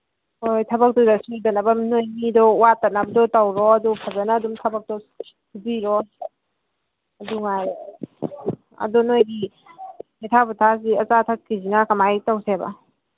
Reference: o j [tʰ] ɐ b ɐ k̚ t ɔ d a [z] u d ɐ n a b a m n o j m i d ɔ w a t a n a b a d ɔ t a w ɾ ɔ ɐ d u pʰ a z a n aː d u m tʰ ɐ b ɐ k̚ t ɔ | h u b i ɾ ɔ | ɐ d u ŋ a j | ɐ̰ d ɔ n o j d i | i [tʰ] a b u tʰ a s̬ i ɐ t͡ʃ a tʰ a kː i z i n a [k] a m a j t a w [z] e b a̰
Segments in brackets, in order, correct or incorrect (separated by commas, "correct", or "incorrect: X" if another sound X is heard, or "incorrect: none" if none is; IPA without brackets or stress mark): correct, incorrect: s, correct, correct, incorrect: s